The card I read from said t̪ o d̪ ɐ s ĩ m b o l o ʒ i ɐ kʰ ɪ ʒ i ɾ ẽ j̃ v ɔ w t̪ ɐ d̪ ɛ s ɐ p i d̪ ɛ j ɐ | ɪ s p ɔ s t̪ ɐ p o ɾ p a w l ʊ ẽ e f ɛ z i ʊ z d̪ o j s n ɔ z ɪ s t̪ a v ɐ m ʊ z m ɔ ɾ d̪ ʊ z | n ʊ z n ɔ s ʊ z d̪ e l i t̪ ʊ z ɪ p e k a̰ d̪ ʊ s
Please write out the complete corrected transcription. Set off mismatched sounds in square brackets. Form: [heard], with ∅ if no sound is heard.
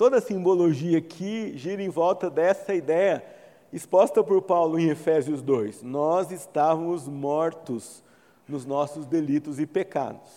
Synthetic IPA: t̪ o d̪ ɐ s ĩ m b o l o ʒ i ɐ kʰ ɪ ʒ i ɾ ẽ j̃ v ɔ w t̪ ɐ d̪ ɛ s ɐ [∅] i d̪ ɛ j ɐ | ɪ s p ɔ s t̪ ɐ p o ɾ p a w l ʊ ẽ e f ɛ z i ʊ z d̪ o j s n ɔ z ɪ s t̪ a v ɐ m ʊ z m ɔ ɾ [t̪] ʊ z | n ʊ z n ɔ s ʊ z d̪ e l i t̪ ʊ z ɪ p e k a̰ d̪ ʊ s